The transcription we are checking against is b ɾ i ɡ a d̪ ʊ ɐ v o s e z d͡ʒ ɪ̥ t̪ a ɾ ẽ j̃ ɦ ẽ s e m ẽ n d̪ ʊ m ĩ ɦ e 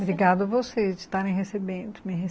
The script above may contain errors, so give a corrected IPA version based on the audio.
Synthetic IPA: b ɾ i ɡ a d̪ ʊ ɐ v o s e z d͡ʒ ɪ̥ t̪ a ɾ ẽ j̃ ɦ e s e b ẽ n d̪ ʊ m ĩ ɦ e